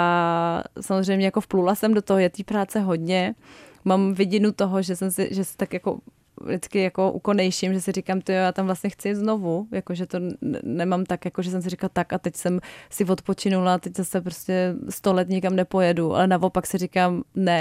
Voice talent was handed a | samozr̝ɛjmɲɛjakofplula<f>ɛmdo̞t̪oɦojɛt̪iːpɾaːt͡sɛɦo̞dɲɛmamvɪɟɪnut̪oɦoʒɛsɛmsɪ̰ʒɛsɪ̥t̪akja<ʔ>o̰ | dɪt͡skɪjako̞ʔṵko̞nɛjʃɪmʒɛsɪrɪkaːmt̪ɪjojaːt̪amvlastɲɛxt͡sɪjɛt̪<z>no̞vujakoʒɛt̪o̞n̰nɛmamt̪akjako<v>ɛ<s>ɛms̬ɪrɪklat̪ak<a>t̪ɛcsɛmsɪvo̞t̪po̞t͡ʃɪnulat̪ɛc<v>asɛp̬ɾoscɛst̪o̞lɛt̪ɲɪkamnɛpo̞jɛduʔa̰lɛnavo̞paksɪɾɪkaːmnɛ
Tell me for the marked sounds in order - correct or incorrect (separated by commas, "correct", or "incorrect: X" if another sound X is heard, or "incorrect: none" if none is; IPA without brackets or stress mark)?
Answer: incorrect: s, incorrect: k, correct, incorrect: ʒ, correct, correct, incorrect: z